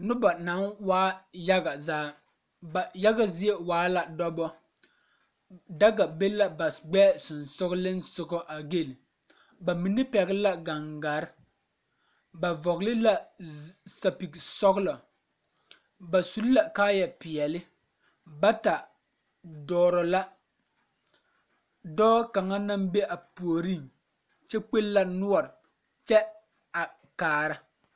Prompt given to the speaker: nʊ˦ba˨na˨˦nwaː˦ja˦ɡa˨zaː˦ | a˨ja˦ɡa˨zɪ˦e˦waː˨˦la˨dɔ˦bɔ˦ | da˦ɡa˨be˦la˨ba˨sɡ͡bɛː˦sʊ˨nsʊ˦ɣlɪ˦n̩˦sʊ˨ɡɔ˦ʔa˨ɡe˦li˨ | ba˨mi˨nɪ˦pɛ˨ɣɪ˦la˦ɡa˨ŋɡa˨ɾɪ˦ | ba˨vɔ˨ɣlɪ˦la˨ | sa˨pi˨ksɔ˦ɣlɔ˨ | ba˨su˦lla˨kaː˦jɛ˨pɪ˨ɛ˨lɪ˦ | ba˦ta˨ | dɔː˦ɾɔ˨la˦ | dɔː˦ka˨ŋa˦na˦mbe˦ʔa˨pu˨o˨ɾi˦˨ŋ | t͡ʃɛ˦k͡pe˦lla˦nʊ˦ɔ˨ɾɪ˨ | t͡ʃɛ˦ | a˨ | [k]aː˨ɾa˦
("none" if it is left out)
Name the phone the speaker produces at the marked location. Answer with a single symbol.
k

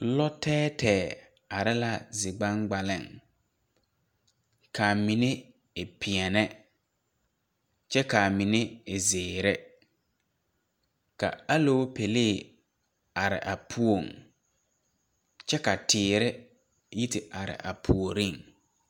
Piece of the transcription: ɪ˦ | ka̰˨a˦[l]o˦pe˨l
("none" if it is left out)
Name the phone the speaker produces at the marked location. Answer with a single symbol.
l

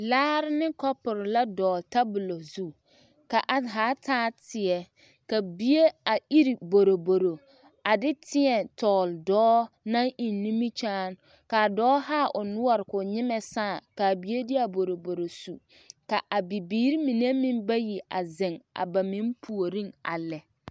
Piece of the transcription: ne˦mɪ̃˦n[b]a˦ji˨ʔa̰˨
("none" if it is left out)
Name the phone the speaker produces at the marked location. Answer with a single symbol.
b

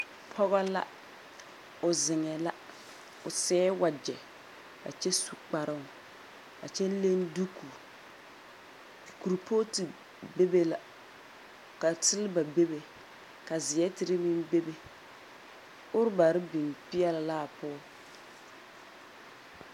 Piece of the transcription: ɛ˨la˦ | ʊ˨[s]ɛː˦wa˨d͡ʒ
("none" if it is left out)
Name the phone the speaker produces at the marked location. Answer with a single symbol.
s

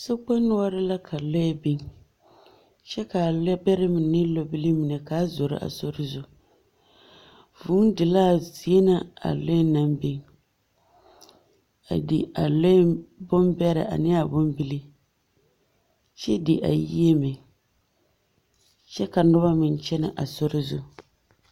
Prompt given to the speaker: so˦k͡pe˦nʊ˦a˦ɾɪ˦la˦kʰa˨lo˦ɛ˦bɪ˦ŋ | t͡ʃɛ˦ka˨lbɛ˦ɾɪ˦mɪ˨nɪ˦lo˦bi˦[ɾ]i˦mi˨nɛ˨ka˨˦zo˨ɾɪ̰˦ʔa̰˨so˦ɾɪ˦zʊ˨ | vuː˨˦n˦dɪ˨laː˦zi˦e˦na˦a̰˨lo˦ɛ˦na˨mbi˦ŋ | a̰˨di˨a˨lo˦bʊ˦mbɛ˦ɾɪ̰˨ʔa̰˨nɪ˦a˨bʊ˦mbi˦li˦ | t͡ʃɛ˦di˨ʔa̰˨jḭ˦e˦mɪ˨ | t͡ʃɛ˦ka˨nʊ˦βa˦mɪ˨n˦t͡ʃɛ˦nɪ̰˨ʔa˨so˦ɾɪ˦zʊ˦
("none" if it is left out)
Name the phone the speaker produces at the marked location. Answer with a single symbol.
l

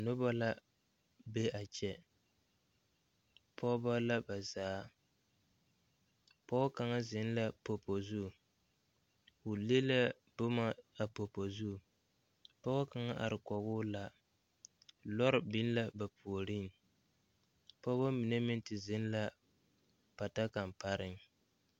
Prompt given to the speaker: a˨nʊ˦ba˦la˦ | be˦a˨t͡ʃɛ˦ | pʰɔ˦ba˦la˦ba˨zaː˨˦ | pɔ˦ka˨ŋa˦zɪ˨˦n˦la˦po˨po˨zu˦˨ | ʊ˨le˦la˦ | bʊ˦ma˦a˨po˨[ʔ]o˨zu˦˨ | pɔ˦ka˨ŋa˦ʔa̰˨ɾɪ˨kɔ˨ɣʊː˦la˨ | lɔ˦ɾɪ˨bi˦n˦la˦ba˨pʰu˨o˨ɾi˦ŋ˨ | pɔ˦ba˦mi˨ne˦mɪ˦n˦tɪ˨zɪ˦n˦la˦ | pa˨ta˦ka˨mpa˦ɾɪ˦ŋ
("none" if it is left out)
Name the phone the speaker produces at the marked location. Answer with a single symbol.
p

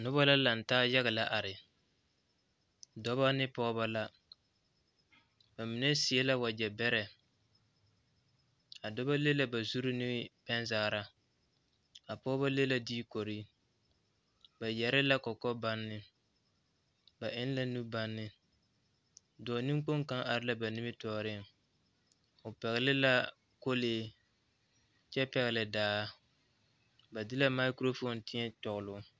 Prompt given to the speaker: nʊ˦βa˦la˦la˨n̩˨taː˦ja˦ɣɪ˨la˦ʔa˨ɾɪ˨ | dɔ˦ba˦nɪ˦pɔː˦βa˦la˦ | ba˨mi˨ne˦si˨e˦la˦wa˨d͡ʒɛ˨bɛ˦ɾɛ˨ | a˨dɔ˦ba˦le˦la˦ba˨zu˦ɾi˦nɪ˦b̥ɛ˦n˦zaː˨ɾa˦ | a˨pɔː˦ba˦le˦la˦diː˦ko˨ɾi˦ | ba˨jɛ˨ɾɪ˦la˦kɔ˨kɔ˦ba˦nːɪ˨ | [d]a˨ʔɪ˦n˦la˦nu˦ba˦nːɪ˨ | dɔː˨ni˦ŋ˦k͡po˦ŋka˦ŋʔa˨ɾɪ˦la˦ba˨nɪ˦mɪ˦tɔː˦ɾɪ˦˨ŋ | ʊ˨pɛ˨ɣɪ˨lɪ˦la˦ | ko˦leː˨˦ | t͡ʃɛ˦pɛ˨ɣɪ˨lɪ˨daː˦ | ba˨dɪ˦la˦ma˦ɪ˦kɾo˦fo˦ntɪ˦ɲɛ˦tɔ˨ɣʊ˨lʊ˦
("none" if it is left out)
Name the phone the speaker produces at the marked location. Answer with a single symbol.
b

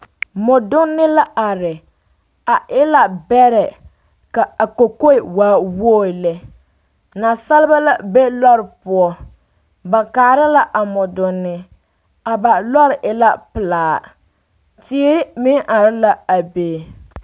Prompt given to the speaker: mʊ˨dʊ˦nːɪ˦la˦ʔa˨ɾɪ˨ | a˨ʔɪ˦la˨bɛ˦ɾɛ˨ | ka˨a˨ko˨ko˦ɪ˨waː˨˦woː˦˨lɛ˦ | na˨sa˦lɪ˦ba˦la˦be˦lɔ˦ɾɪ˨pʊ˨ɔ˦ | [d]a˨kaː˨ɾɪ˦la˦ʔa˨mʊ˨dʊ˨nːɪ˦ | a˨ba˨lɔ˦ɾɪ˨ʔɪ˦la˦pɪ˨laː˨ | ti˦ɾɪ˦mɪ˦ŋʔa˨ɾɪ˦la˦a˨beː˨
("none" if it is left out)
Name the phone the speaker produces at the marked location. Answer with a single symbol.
b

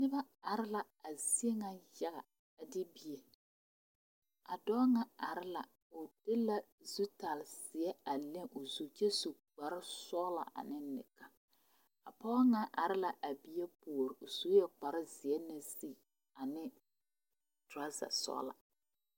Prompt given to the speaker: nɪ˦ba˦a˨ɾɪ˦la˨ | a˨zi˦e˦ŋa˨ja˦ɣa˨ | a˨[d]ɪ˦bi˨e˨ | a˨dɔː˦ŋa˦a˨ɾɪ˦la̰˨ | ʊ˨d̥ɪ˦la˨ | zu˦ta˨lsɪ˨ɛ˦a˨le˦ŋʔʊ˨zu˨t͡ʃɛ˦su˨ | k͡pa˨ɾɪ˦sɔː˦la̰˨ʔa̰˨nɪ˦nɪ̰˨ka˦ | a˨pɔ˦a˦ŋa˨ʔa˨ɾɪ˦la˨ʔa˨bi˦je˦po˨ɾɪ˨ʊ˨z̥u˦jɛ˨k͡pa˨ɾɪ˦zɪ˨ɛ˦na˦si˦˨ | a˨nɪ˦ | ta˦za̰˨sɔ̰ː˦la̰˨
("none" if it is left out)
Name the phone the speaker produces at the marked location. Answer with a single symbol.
d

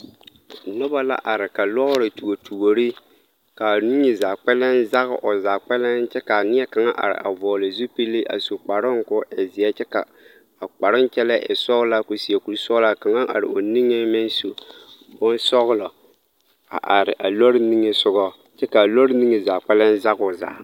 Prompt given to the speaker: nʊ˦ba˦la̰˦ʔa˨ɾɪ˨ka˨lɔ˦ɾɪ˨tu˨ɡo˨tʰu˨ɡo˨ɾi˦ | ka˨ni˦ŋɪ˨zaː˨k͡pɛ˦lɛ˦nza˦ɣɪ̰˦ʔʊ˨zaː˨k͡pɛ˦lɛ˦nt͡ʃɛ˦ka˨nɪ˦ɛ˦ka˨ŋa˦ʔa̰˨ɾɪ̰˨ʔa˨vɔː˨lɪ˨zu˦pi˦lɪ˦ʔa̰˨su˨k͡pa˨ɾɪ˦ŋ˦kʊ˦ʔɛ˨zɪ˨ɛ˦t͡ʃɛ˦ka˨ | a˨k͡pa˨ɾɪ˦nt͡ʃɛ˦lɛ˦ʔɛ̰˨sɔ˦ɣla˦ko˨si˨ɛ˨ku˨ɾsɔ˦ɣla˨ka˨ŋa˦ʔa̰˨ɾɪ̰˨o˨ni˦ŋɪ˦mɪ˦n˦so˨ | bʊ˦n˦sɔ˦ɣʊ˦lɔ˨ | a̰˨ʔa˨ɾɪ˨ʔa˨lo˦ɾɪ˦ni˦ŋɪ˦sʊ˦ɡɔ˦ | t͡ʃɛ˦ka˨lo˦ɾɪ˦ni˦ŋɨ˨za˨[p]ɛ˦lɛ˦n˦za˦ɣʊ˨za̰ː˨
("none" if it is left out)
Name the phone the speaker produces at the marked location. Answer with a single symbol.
k͡p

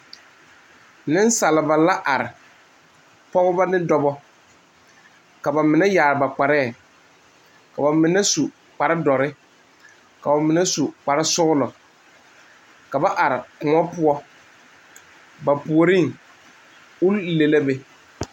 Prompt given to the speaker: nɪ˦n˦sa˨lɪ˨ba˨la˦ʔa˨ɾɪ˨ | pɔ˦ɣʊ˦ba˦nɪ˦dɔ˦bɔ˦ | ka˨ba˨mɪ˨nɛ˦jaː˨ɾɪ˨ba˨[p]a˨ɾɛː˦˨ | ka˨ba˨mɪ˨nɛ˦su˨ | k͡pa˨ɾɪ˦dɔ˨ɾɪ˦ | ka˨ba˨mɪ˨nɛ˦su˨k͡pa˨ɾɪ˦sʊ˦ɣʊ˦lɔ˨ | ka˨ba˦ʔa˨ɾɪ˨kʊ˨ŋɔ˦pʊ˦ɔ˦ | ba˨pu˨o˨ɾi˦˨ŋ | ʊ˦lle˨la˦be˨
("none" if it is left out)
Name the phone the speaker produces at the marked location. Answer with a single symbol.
k͡p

